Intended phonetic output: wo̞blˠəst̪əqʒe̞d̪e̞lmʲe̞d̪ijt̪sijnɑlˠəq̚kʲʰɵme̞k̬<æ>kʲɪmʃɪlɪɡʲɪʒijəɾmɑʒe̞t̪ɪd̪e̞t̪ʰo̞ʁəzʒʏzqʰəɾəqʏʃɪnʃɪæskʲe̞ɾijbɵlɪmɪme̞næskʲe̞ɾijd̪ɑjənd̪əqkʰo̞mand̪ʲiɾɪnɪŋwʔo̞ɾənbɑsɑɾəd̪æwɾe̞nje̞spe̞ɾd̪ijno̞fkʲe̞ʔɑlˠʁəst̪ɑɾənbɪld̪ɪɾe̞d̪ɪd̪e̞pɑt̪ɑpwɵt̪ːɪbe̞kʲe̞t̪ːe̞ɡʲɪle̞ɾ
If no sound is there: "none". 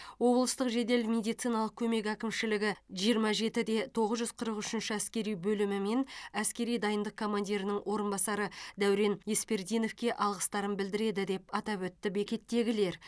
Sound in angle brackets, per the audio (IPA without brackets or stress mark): æ